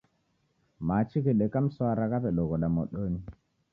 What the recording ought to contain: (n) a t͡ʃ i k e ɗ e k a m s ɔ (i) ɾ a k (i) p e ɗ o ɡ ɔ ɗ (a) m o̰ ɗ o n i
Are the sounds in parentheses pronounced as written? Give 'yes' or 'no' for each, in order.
no, no, no, yes

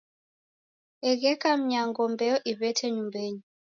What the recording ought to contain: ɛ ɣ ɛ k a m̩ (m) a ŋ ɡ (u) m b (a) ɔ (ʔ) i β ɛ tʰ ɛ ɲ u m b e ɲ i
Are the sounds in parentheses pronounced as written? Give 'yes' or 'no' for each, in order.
no, no, no, yes

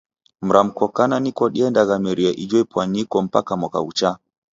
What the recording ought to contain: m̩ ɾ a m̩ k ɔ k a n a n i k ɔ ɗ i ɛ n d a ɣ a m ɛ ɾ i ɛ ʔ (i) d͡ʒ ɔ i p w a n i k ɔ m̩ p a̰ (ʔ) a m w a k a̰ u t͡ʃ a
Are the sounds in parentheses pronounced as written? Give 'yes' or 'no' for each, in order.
yes, no

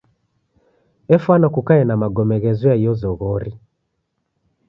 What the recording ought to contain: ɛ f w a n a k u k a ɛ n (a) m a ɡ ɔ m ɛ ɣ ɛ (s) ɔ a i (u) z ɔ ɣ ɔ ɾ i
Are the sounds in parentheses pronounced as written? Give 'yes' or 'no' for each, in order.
yes, no, no

